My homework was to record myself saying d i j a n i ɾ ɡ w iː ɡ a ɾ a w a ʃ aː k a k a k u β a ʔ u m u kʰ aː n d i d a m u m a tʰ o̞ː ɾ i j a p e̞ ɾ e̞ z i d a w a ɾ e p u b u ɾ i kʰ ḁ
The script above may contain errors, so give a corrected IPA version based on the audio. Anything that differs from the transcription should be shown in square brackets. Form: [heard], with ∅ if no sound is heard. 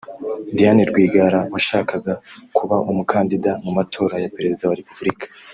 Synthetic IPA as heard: d i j a n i ɾ ɡ w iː ɡ a ɾ a w a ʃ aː k a [ɡ] a k u β a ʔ u m u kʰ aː n d i d a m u m a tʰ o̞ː ɾ [a] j a p e̞ ɾ e̞ z i d a w a ɾ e p u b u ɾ i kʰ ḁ